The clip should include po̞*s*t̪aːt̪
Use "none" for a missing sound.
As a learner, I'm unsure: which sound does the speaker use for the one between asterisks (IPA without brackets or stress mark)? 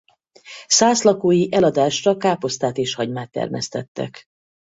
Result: s